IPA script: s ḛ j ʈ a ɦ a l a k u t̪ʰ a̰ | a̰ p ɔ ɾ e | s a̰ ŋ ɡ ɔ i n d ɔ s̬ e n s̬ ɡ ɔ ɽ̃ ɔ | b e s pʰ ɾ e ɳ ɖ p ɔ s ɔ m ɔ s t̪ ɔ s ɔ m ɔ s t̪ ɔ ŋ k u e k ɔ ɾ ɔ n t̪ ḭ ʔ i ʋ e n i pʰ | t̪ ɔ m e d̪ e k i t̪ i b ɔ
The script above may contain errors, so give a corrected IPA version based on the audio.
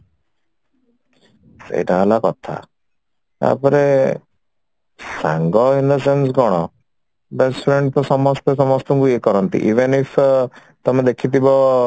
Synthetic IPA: s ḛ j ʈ a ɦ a l a k ɔ t̪ʰ a̰ | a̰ p ɔ ɾ e | s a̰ ŋ ɡ ɔ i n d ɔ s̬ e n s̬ ɡ ɔ ɽ̃ ɔ | b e s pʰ ɾ e ɳ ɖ p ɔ s ɔ m ɔ s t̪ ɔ s ɔ m ɔ s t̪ ɔ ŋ k u e k ɔ ɾ ɔ n t̪ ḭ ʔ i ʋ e n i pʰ | t̪ ɔ m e d̪ e kʰ i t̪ i b ɔ